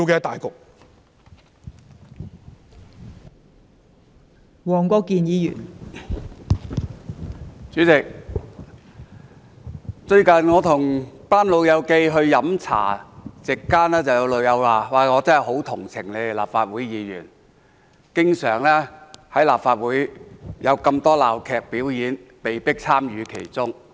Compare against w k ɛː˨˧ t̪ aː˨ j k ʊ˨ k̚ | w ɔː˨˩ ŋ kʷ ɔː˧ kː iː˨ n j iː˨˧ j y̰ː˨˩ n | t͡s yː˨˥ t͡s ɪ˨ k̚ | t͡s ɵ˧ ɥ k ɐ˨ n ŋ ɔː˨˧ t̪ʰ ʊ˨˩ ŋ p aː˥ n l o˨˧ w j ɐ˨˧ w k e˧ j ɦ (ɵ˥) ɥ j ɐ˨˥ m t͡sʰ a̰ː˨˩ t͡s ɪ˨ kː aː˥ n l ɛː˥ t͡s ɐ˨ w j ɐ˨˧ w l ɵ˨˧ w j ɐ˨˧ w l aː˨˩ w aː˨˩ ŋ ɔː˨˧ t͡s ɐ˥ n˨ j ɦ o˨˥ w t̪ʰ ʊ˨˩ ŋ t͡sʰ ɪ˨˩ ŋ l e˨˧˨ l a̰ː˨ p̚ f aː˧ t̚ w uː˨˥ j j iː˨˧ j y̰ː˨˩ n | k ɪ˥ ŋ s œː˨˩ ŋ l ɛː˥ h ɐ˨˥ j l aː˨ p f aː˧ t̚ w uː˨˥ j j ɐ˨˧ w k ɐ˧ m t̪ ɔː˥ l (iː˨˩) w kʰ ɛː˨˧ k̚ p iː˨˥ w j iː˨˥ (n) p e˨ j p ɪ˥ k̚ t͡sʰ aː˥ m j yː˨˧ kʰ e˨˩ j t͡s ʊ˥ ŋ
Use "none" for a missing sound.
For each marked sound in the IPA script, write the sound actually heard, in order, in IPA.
ɵ˧, aː˨˩, n

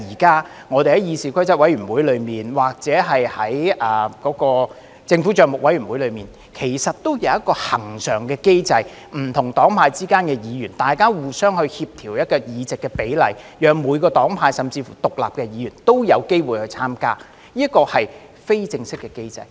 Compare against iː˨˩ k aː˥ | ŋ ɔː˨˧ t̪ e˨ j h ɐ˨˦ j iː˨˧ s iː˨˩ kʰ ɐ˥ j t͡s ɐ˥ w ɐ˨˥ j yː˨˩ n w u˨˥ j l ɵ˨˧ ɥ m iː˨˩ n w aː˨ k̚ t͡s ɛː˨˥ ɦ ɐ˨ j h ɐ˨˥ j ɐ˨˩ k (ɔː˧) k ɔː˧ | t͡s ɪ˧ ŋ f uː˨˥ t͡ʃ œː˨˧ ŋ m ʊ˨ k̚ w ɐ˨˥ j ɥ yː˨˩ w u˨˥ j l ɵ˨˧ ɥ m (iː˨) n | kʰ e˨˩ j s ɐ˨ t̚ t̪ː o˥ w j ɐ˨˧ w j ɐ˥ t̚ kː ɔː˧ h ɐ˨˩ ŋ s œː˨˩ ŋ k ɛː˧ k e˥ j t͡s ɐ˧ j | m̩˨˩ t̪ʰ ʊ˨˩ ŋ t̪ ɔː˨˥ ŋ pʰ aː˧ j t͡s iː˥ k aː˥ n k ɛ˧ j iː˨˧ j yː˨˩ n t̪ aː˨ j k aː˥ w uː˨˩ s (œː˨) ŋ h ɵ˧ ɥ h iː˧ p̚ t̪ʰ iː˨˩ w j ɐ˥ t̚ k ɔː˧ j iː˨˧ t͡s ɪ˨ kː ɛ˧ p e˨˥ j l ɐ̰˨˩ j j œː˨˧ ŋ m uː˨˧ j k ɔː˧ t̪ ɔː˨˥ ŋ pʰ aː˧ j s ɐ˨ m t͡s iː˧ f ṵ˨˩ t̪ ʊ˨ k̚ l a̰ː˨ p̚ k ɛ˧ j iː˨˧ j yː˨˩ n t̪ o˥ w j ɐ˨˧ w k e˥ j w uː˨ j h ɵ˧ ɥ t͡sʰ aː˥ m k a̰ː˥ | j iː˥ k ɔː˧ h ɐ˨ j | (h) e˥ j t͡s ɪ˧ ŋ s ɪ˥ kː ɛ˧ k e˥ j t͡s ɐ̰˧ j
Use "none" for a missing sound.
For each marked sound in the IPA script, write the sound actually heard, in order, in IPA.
ɔː˨˥, iː˨, œː˥, f

